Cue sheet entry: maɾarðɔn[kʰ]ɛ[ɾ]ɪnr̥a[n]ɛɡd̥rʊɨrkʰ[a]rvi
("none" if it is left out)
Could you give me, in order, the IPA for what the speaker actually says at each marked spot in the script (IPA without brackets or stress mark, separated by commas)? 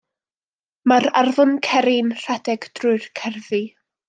kʰ, ɾ, d, ɛ